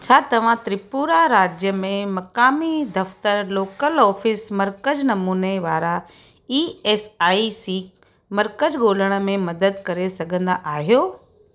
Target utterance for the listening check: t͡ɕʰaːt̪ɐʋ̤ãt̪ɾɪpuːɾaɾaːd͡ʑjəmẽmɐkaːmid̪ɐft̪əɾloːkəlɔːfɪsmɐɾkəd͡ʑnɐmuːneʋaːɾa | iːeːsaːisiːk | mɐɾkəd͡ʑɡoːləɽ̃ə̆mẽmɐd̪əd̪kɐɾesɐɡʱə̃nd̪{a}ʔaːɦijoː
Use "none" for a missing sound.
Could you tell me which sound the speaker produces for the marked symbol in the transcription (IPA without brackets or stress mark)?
a